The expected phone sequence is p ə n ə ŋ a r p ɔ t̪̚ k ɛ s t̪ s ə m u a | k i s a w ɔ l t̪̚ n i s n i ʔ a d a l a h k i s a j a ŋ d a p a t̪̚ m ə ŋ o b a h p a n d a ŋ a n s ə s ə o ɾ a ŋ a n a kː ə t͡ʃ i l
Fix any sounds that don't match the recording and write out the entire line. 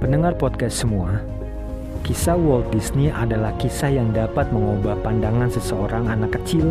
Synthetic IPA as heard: p ə n ə ŋ a r p ɔ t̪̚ k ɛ s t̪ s ə m u a | k i s a w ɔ l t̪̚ d i s n i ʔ a d a l a h k i s a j a ŋ d a p a t̪̚ m ə ŋ o b a h p a n d a ŋ a n s ə s ə o ɾ a ŋ a n a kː ə t͡ʃ i l